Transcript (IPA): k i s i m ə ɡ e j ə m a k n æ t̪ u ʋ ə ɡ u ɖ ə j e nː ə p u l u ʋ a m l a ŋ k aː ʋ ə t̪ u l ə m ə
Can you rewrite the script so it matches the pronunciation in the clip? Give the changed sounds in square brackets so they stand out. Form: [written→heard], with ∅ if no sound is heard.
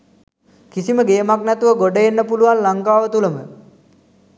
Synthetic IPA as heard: k i s i m ə ɡ e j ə m a k n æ t̪ u ʋ ə ɡ [u→o] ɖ ə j e nː ə p u l u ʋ a [m→n] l a ŋ k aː ʋ ə t̪ u l ə m ə